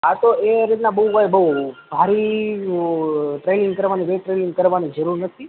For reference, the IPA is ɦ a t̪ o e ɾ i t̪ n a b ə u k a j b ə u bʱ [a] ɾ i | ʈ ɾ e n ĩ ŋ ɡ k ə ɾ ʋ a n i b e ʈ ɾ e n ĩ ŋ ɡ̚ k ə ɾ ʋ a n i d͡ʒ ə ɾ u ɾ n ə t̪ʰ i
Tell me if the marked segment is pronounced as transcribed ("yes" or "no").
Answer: yes